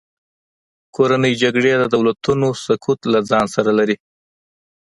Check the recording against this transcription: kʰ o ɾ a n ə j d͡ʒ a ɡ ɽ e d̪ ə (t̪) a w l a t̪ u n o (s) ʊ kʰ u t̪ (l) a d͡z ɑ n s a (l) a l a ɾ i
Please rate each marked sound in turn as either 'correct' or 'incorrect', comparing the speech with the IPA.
incorrect: d̪, correct, correct, incorrect: ɾ

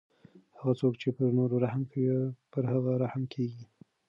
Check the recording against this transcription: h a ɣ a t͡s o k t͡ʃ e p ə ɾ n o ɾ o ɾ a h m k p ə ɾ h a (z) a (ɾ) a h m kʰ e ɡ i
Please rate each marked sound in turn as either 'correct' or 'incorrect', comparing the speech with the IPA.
incorrect: ɣ, correct

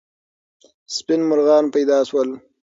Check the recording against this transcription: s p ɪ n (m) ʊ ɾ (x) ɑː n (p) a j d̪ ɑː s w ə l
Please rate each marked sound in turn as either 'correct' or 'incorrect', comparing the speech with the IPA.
correct, incorrect: ɣ, correct

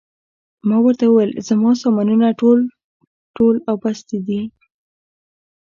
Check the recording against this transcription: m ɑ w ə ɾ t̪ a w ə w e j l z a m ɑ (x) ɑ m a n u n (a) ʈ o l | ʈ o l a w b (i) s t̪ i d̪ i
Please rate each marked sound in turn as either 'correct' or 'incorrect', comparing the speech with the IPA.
incorrect: s, correct, incorrect: a

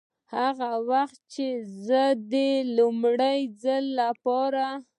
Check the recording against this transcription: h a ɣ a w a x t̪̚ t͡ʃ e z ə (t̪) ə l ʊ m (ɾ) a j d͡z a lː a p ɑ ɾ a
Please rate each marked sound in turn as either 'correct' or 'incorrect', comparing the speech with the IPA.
incorrect: d̪, incorrect: ɽ

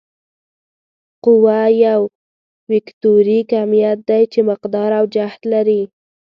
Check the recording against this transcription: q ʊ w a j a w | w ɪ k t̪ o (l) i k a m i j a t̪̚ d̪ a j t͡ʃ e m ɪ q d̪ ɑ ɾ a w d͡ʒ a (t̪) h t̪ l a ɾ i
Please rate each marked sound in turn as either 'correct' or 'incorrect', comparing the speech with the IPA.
incorrect: ɾ, incorrect: none

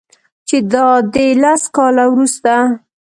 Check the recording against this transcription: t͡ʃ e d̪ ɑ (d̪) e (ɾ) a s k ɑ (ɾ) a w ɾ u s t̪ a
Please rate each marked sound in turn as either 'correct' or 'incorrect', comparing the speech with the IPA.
correct, incorrect: l, incorrect: l

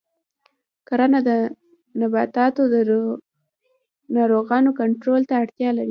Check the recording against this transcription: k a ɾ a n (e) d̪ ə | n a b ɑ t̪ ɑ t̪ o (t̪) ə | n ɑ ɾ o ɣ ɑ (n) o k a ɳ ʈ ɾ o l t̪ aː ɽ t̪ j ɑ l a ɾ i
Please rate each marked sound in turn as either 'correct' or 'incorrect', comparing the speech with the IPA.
incorrect: a, incorrect: d̪, correct

